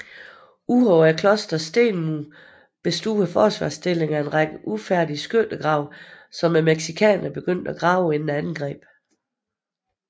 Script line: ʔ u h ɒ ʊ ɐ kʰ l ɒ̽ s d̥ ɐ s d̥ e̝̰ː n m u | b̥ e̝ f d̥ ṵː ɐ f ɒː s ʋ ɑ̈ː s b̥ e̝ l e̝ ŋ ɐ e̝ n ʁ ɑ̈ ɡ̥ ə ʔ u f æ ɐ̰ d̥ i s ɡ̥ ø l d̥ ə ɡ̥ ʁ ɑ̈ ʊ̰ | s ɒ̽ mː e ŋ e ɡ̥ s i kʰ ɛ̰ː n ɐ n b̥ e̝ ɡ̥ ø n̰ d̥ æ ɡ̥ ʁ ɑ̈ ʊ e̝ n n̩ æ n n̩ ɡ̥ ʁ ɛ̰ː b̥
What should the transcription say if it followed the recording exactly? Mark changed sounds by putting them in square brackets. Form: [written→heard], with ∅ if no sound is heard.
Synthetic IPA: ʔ u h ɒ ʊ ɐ kʰ l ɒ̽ s d̥ ɐ s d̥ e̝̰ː n m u | b̥ e̝ [f→s] d̥ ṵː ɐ f ɒː s ʋ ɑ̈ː s [b̥→d̥] e̝ l e̝ ŋ ɐ e̝ n ʁ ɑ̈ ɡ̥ ə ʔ u f æ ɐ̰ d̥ i s ɡ̥ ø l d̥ ə ɡ̥ ʁ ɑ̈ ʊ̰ | s ɒ̽ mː e [ŋ→m] e ɡ̥ s i kʰ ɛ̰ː n ɐ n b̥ e̝ ɡ̥ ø n̰ d̥ æ ɡ̥ ʁ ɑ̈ ʊ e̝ n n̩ æ n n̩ ɡ̥ ʁ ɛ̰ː b̥